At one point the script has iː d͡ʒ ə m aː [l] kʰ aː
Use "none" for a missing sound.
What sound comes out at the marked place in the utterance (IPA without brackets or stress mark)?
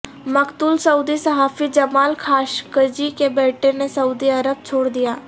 l